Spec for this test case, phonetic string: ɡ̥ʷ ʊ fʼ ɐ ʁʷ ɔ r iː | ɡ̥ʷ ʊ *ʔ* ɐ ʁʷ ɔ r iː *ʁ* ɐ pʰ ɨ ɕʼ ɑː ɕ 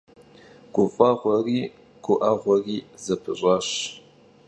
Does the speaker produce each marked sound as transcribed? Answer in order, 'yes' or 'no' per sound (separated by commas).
yes, no